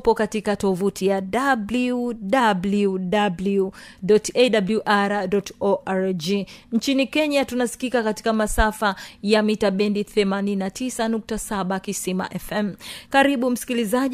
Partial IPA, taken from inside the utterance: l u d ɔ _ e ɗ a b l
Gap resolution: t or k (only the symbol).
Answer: t